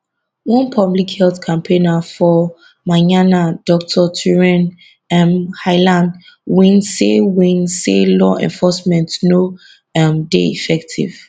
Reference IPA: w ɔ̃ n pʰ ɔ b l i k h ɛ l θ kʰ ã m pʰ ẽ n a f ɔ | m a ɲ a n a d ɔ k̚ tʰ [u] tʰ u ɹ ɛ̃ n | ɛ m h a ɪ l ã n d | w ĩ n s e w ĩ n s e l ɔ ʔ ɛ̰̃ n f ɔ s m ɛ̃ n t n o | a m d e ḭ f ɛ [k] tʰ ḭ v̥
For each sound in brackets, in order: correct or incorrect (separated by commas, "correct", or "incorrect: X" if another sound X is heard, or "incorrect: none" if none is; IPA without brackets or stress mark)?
incorrect: ɔ, correct